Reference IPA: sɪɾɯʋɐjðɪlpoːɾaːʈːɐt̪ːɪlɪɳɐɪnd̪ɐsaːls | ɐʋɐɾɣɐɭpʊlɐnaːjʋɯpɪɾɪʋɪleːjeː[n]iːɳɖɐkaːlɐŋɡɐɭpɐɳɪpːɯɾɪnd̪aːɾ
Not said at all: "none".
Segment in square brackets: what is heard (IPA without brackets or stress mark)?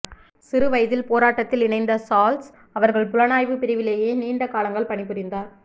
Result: n